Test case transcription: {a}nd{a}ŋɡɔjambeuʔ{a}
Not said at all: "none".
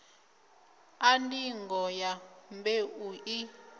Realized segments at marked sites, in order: a, i, i

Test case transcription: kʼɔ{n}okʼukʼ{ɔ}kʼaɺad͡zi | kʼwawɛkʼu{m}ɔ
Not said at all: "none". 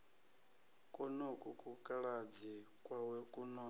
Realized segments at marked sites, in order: n, u, n

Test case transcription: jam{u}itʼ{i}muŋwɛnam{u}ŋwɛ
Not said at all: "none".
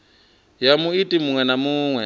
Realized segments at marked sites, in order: u, i, uː

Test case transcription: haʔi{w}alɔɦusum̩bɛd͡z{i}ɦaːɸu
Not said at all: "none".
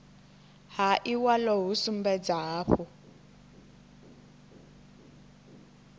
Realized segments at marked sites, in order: w, a

